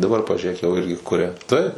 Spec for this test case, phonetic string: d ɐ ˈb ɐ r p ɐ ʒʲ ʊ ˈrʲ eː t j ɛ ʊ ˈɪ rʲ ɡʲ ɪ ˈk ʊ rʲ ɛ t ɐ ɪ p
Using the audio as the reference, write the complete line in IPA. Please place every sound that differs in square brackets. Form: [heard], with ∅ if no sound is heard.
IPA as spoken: d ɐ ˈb ɐ r p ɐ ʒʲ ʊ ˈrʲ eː [k] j ɛ ʊ ˈɪ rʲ ɡʲ ɪ ˈk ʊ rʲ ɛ t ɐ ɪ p